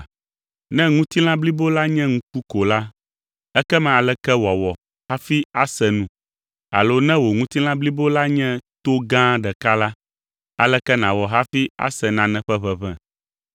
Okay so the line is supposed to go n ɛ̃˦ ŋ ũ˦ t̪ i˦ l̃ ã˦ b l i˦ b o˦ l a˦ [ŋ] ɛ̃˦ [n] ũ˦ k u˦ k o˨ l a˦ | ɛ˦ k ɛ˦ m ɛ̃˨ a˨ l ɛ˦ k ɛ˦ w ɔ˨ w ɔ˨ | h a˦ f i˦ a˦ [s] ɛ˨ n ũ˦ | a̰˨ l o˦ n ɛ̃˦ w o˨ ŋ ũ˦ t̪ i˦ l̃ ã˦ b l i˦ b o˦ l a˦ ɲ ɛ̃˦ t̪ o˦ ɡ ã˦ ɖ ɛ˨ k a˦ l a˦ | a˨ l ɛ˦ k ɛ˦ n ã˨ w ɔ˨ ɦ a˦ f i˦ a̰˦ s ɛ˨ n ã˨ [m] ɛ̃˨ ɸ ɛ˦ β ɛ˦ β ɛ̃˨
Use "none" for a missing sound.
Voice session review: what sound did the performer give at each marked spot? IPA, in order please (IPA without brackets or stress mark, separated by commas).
ɲ, ŋ, s, n